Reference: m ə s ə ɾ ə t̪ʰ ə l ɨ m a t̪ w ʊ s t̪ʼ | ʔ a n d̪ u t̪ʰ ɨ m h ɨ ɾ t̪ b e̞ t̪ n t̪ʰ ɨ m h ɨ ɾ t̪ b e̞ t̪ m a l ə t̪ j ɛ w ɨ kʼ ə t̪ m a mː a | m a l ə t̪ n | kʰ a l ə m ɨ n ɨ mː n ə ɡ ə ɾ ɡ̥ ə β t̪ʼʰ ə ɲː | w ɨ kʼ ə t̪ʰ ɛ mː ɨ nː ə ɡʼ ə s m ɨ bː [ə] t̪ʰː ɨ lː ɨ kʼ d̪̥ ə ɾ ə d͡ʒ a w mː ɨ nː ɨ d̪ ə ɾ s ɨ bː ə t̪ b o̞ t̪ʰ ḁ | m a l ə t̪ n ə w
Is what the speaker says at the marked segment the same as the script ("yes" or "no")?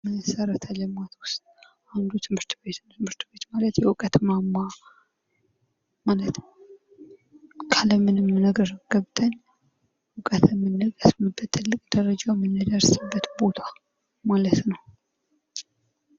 yes